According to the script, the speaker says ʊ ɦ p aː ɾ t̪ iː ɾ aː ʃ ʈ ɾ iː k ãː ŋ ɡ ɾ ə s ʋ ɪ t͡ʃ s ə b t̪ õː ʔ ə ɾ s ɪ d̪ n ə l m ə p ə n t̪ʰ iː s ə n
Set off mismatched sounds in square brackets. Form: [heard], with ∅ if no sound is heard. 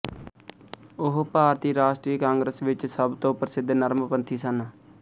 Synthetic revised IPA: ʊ ɦ p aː ɾ t̪ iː ɾ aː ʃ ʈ ɾ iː k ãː ŋ ɡ ɾ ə s ʋ ɪ t͡ʃ s ə b t̪ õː [p] ə ɾ s ɪ d̪ n ə [ɾ] m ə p ə n t̪ʰ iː s ə n